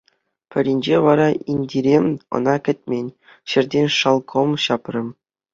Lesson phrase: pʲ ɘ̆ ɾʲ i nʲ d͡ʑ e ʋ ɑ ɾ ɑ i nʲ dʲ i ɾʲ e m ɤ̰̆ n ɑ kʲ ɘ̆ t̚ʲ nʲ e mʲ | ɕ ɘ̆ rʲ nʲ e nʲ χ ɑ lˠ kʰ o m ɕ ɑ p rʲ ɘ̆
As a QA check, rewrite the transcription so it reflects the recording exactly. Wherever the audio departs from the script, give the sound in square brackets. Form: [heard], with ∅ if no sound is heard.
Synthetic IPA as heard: pʲ ɘ̆ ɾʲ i nʲ d͡ʑ e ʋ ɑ ɾ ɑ i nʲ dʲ i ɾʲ e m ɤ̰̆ n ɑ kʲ ɘ̆ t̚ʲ [mʲ] e [nʲ] | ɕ ɘ̆ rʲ [dʲ] e nʲ [ʂ] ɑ lˠ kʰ o m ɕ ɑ p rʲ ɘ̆